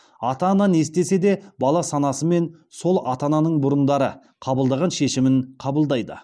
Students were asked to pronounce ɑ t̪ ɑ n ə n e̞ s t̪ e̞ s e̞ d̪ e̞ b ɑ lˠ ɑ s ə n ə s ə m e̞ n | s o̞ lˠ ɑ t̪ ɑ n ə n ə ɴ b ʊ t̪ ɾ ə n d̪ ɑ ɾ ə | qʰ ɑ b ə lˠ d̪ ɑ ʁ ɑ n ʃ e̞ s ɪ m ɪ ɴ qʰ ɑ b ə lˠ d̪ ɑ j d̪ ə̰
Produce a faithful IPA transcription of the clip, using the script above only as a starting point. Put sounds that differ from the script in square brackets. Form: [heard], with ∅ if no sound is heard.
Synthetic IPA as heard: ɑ t̪ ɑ n [ɑ] n e̞ s t̪ e̞ s e̞ d̪ e̞ b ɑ lˠ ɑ s [ɑ] n [ɑ] s ə m e̞ n | s o̞ lˠ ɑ t̪ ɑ n [ɑ] n ə ɴ b ʊ [∅] ɾ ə n d̪ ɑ ɾ ə | qʰ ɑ b ə lˠ d̪ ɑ ʁ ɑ n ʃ e̞ [ʃ] ɪ m ɪ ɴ qʰ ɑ b ə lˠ d̪ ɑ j d̪ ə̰